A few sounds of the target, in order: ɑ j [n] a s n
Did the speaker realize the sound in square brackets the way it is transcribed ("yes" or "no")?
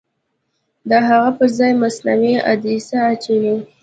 no